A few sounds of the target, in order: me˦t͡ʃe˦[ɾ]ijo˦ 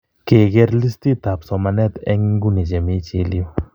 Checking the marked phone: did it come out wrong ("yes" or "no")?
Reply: yes